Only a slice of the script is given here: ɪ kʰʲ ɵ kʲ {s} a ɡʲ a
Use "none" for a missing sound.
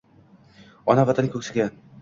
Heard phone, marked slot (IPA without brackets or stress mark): s